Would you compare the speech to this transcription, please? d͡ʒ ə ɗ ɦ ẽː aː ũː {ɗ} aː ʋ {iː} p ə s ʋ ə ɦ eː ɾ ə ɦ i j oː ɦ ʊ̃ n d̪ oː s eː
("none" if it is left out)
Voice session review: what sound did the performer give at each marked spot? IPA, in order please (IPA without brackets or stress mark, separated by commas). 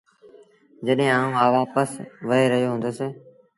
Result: none, aː